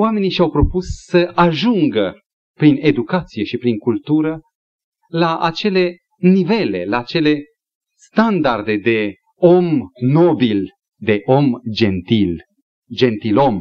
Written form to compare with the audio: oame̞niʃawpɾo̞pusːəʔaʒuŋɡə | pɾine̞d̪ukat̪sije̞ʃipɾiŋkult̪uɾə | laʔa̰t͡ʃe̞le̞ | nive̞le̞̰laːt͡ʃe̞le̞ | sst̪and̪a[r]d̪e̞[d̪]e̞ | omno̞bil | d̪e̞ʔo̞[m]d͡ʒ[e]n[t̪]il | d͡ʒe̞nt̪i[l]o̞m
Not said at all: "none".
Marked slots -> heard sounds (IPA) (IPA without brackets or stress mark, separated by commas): r, d̪, m, e, t̪, l